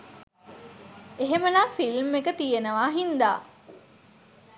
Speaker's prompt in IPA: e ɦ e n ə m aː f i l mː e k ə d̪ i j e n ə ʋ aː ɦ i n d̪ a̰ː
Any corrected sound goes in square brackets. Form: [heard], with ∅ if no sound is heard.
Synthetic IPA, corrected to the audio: e ɦ e [m] ə [n] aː f i l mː e k ə [t̪] i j e n ə ʋ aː ɦ i n d̪ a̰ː